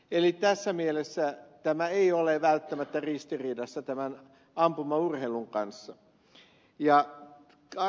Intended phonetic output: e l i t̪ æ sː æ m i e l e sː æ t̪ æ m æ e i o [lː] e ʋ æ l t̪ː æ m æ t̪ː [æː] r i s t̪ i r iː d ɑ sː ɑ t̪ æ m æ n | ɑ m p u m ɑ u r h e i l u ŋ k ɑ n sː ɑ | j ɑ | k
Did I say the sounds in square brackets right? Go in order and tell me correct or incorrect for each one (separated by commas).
incorrect, incorrect